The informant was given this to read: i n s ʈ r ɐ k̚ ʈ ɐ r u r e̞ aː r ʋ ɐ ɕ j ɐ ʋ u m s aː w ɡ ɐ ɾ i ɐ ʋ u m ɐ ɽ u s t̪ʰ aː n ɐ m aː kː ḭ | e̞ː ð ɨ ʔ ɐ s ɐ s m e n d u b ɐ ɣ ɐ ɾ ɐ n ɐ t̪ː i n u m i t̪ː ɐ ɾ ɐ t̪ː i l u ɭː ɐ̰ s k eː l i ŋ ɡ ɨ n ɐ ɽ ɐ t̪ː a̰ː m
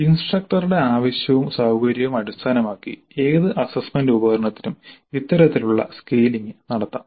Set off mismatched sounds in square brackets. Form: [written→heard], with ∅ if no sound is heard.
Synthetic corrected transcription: i n s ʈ r ɐ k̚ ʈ ɐ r u [r→ɽ] e̞ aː [r→∅] ʋ ɐ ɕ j ɐ ʋ u m s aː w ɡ ɐ ɾ [i→j] ɐ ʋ u m ɐ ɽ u s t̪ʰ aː n ɐ m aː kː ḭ | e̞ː ð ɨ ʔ ɐ s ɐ s m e n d u b ɐ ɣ ɐ ɾ ɐ [n→ɳ] ɐ t̪ː i n u m i t̪ː ɐ ɾ ɐ t̪ː i l u ɭː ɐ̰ s k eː l i ŋ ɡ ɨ n ɐ ɽ ɐ t̪ː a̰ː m